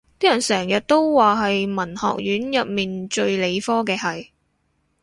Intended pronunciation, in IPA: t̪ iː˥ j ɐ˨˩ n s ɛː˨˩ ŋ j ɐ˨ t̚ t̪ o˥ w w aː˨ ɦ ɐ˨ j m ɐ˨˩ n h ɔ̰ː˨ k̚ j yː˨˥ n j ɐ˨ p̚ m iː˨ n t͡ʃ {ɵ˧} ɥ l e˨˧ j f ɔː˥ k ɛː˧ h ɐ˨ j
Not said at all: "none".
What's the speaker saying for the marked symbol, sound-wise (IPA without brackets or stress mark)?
ɵ˧